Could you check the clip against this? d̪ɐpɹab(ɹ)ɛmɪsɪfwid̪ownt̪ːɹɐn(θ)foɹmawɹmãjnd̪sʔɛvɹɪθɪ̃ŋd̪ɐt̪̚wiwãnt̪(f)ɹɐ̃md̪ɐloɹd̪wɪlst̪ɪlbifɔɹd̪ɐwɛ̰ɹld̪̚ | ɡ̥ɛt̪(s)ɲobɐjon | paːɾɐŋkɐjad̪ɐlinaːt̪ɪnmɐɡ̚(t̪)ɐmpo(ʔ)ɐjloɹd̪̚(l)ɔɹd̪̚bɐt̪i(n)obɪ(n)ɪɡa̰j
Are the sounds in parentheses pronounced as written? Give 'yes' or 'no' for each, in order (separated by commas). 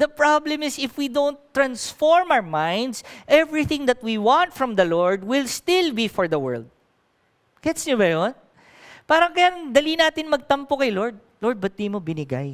no, no, yes, yes, yes, no, yes, no, yes